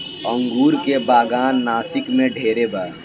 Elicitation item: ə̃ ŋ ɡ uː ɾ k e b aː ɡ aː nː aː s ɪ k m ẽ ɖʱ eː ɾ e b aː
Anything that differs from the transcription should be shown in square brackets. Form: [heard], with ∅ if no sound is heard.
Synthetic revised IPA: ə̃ ŋ ɡ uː ɾ k e b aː ɡ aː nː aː s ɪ k m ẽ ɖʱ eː ɾ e b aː